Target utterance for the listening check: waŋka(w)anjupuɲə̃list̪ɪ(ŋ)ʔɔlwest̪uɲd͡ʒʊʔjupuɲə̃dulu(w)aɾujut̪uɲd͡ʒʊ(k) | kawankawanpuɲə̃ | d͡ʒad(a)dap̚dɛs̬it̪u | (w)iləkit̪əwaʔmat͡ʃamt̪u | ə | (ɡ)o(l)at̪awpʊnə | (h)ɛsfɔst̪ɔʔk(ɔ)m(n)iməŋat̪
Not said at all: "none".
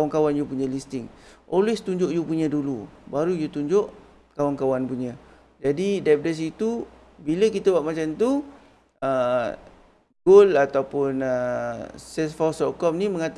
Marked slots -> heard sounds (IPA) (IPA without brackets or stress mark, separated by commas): w, ŋ, b, ʔ, i, b, ɡ, l, s, ɔ, n